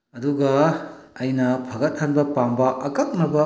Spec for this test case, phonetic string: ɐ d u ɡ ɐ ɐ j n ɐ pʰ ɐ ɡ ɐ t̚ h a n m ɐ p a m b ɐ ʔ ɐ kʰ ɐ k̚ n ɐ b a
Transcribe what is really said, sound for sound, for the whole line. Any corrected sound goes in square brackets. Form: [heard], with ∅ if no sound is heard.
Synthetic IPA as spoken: ɐ d u ɡ ɐ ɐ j n ɐ pʰ ɐ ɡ ɐ t̚ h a n [b] ɐ p a m b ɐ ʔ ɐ [k] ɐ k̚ n ɐ b [ɐ]